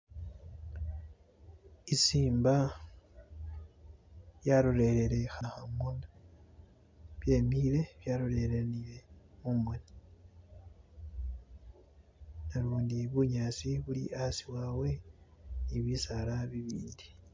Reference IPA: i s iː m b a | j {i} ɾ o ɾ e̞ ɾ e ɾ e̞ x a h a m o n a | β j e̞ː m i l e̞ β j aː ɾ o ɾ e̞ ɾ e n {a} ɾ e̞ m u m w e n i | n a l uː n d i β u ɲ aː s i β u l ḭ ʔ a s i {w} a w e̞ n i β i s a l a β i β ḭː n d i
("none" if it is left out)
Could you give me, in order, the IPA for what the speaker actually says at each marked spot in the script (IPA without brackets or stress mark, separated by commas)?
a, i, w